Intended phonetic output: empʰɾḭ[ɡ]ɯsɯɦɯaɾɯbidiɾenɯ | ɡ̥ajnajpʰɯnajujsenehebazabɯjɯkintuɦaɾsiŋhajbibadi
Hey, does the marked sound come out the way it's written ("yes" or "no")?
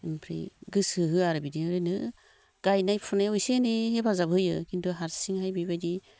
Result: yes